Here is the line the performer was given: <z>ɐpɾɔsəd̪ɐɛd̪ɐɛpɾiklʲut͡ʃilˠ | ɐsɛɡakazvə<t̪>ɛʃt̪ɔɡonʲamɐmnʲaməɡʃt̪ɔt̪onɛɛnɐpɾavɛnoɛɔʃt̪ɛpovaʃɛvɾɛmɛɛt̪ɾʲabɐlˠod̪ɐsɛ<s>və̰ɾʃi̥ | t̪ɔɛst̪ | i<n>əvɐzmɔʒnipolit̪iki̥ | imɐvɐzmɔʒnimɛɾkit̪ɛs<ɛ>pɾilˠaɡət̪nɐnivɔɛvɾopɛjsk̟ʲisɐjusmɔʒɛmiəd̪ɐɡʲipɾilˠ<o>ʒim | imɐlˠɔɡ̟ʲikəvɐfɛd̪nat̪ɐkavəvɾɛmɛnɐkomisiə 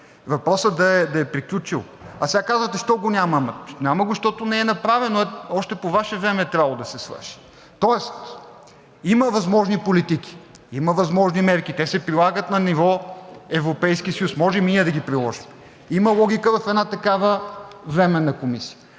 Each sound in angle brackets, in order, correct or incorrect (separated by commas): incorrect, correct, correct, incorrect, correct, incorrect